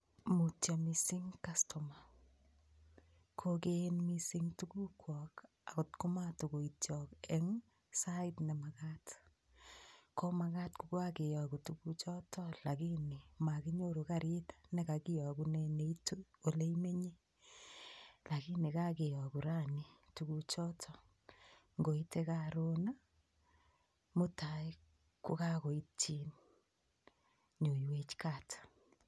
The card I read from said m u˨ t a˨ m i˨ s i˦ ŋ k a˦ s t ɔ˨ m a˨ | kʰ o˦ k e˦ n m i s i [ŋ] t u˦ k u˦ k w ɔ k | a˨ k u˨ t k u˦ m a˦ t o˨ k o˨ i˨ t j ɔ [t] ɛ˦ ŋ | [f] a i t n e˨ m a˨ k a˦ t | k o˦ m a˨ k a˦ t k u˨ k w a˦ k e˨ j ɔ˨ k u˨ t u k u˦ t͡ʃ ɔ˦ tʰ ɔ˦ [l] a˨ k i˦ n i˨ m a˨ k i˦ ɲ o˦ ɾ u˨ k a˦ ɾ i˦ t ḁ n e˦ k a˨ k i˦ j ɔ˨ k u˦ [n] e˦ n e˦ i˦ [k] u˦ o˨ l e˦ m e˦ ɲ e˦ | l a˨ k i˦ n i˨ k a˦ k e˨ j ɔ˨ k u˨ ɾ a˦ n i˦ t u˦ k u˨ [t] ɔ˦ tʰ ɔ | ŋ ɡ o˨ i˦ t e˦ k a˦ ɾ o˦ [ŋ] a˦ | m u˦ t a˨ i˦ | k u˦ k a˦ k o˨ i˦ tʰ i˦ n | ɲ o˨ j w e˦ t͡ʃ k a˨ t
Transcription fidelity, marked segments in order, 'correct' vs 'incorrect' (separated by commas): correct, incorrect, incorrect, correct, correct, incorrect, incorrect, incorrect